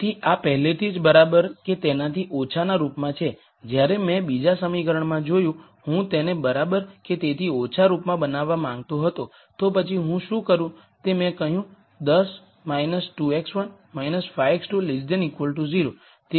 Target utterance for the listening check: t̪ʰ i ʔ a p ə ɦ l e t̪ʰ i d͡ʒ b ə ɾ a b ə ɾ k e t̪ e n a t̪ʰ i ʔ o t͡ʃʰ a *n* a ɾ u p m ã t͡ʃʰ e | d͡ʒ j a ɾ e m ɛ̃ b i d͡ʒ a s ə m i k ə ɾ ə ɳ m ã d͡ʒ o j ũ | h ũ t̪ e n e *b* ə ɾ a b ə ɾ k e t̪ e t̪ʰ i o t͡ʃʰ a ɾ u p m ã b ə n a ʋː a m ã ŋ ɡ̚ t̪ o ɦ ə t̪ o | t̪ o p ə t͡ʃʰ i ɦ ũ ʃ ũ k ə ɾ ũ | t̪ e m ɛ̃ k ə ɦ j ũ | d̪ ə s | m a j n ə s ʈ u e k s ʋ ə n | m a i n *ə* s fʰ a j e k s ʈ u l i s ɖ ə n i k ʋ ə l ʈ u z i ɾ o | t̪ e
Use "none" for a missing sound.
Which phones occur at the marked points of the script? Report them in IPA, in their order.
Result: n, b, ə

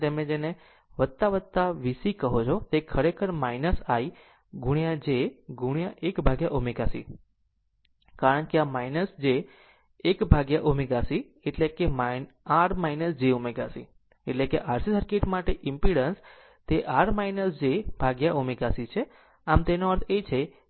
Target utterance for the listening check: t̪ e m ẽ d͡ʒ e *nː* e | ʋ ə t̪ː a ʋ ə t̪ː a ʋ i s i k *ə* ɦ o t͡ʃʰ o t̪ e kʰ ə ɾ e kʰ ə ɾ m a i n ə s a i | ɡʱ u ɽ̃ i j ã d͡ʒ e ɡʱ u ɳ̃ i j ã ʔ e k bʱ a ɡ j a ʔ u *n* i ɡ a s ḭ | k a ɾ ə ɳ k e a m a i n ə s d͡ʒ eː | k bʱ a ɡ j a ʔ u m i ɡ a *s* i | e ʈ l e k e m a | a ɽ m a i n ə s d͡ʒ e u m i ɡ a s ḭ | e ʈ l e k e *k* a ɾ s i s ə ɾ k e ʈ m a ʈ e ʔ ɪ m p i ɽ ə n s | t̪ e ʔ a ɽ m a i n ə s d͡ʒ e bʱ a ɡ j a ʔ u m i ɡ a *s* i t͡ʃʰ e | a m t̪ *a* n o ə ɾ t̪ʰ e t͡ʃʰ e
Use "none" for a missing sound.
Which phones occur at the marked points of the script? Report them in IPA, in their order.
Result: n, ə, m, s, ʔ, s, e

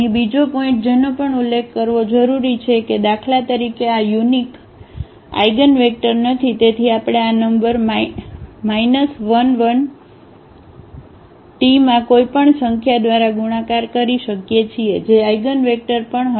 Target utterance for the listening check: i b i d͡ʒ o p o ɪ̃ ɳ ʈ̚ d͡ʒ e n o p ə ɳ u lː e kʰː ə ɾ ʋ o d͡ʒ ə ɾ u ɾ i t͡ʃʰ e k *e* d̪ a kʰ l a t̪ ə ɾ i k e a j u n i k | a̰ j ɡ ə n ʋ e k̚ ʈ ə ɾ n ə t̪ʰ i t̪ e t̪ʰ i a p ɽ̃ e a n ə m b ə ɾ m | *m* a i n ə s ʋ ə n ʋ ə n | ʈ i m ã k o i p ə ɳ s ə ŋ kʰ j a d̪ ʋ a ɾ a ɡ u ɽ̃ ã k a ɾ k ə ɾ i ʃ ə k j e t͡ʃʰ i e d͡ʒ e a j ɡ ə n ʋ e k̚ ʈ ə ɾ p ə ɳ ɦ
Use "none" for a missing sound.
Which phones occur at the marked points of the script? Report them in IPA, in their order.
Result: e, m

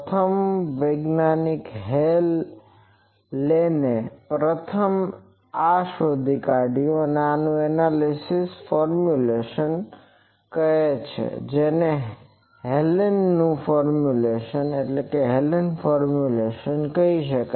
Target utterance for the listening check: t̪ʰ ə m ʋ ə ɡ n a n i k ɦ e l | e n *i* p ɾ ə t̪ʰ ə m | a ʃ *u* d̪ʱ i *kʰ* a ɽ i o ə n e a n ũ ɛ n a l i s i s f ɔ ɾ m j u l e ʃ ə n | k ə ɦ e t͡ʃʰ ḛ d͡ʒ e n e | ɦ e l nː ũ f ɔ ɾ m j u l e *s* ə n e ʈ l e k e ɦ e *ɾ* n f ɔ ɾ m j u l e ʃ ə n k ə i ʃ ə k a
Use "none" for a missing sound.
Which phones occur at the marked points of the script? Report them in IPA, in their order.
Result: e, o, k, ʃ, l

